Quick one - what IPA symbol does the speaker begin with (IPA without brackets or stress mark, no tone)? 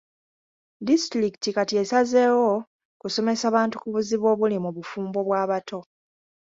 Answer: d